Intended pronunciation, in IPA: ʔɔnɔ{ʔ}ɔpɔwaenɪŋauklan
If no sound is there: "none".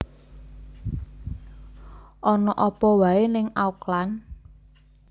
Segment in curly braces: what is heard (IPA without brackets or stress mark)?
ʔ